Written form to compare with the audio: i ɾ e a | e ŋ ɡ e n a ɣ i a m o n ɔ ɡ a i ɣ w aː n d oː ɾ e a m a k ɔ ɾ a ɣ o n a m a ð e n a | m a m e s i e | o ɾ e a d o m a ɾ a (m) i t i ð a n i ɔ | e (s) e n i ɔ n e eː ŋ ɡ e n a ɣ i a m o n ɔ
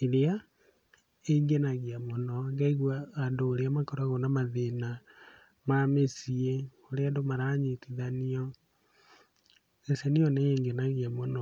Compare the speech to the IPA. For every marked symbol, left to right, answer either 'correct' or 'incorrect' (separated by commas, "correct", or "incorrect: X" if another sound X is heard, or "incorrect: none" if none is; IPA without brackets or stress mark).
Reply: incorrect: ɲ, correct